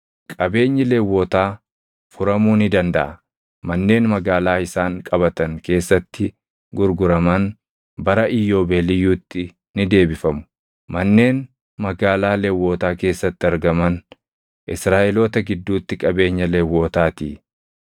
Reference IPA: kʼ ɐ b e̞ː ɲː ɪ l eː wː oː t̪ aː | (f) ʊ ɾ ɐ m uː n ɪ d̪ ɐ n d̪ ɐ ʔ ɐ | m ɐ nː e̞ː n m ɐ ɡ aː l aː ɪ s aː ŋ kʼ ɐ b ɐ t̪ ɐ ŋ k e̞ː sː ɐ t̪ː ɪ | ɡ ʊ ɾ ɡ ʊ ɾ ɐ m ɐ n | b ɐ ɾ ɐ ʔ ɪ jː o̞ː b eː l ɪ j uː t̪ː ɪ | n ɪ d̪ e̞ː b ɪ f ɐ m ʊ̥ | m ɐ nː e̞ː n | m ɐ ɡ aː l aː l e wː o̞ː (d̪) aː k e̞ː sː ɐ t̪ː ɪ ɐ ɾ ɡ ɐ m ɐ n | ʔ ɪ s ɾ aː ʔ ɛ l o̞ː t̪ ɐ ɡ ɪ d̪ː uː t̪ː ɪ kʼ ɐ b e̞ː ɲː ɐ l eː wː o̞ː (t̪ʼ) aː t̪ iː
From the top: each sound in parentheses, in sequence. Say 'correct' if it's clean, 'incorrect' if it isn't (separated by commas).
correct, incorrect, incorrect